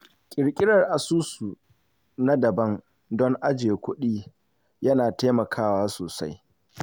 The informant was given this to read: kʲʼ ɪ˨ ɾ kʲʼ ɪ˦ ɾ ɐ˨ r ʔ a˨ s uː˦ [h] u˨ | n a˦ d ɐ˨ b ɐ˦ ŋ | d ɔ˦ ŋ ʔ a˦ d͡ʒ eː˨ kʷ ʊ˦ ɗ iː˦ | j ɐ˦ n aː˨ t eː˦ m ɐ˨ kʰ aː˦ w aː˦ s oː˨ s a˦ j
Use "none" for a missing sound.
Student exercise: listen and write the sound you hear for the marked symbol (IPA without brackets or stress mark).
s